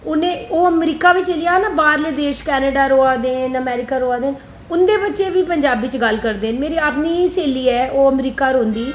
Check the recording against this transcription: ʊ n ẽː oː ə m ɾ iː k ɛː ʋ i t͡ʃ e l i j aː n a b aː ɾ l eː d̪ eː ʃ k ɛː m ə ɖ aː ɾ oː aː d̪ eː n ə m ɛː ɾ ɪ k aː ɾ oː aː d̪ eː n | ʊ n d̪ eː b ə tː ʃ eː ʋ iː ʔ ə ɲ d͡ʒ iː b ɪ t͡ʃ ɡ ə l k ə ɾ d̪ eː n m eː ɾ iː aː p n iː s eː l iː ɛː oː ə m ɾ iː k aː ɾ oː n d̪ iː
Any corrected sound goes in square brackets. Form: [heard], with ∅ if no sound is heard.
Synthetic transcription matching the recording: ʊ n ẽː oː ə m ɾ iː k [aː] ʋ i t͡ʃ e l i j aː n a b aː ɾ l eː d̪ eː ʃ k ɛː [n] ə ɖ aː ɾ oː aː d̪ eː n ə m ɛː ɾ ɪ k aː ɾ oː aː d̪ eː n | ʊ n d̪ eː b ə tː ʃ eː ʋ iː [p] ə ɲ d͡ʒ [aː] b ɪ t͡ʃ ɡ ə l k ə ɾ d̪ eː n m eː ɾ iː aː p n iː s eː l iː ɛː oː ə m ɾ iː k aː ɾ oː n d̪ iː

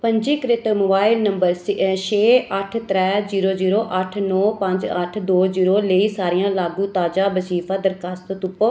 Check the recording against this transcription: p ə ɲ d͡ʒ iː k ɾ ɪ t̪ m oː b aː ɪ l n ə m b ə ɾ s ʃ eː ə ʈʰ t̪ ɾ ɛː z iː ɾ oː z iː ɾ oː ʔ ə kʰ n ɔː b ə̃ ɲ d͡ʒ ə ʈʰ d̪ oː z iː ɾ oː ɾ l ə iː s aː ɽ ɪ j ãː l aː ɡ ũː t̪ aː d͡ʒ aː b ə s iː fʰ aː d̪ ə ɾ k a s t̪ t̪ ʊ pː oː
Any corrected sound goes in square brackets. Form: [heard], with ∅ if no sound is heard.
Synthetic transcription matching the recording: p ə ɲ d͡ʒ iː k ɾ ɪ t̪ m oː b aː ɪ l n ə m b ə ɾ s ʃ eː ə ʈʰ t̪ ɾ ɛː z iː ɾ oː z iː ɾ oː ʔ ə [ʈʰ] n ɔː [p] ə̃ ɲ d͡ʒ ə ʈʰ d̪ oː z iː ɾ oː [∅] l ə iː s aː [ɾ] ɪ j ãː l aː ɡ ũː t̪ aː d͡ʒ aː b ə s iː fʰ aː d̪ ə ɾ k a s t̪ t̪ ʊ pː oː

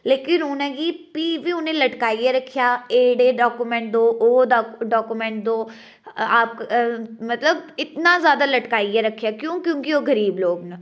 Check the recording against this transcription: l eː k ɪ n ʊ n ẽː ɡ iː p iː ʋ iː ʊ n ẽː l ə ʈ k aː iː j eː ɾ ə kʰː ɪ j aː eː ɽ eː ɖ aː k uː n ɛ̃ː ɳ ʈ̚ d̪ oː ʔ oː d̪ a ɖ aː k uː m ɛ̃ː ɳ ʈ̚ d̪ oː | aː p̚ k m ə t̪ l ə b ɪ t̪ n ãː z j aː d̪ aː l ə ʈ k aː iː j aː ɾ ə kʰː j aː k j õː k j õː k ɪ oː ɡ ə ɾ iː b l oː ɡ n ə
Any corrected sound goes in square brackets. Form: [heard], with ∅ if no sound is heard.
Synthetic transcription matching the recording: l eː k ɪ n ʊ n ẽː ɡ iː p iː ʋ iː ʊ n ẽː l ə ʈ k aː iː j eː ɾ ə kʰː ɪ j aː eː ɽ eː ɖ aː k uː [m] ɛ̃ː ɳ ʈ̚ d̪ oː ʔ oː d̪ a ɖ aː k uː m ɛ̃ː ɳ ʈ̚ d̪ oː | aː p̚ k m ə t̪ l ə b ɪ t̪ n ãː z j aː d̪ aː l ə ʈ k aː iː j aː ɾ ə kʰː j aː k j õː k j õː k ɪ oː ɡ ə ɾ iː b l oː ɡ n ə

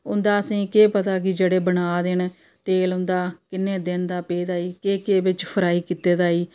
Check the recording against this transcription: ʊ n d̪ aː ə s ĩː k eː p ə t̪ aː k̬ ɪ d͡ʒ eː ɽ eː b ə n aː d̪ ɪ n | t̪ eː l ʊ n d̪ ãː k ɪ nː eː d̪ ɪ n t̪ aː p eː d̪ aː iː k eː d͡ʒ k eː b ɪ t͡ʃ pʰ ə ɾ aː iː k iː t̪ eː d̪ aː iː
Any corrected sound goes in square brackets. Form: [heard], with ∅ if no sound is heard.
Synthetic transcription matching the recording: ʊ n d̪ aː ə s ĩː k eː p ə t̪ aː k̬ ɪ d͡ʒ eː ɽ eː b ə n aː d̪ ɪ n | t̪ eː l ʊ n d̪ [aː] k ɪ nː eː d̪ ɪ n [d̪] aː p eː d̪ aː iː k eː [∅] k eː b ɪ t͡ʃ pʰ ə ɾ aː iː k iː t̪ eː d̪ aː iː

